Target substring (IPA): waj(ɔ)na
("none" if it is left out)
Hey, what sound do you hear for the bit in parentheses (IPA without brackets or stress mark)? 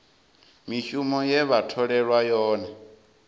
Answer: ɔː